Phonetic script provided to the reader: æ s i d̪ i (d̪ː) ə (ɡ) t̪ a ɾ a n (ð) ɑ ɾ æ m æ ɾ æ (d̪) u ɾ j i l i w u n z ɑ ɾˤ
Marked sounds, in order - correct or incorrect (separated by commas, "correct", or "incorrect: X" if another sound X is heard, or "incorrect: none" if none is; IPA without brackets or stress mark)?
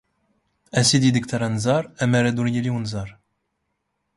incorrect: d̪, incorrect: k, incorrect: z, correct